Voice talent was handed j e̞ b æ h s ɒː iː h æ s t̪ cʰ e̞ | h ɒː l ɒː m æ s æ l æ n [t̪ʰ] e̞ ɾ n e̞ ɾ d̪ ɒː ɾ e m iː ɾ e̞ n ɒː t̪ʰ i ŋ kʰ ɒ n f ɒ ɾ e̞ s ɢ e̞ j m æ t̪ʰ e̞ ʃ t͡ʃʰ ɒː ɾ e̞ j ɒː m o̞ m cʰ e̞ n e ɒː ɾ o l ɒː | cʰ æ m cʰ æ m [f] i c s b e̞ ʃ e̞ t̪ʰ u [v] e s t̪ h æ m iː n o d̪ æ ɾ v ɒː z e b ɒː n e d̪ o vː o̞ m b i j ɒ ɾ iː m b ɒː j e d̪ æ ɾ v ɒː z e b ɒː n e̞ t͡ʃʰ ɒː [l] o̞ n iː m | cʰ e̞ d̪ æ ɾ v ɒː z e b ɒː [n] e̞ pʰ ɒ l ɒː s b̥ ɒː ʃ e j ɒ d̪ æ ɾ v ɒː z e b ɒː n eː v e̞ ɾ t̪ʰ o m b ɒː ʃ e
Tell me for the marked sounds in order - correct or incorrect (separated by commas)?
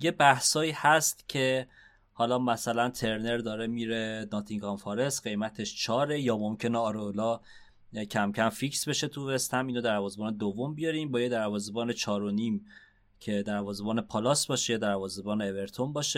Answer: correct, correct, correct, incorrect, correct